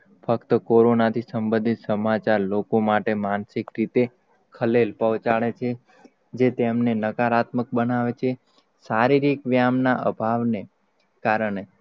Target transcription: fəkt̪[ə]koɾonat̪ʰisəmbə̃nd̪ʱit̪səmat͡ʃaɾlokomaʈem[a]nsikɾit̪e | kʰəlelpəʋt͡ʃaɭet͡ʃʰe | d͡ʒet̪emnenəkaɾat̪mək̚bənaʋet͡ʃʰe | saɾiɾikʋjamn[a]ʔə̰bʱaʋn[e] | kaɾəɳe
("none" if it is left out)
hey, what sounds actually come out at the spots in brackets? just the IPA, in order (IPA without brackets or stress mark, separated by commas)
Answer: ə, a, a, e